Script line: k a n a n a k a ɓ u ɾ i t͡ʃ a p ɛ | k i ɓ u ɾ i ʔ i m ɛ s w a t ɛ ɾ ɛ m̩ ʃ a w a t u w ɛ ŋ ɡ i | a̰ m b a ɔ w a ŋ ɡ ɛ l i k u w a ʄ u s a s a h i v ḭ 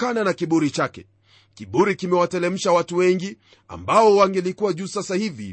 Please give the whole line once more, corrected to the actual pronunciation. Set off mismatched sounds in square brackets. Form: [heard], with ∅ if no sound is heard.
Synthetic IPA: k a n a n a k [i] ɓ u ɾ i t͡ʃ a [k] ɛ | k i ɓ u ɾ i [k] i m ɛ [∅] w a t ɛ [l] ɛ m̩ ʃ a w a t u w ɛ ŋ ɡ i | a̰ m b a ɔ w a ŋ ɡ ɛ l i k u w a ʄ u s a s a h i v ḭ